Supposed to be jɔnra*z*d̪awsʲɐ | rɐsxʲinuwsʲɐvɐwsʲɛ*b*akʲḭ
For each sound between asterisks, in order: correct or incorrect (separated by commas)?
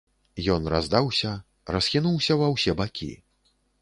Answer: correct, correct